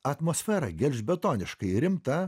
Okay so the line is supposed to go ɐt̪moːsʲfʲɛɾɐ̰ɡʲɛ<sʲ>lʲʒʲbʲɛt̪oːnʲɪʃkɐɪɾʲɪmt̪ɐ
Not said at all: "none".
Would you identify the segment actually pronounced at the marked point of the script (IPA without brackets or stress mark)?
none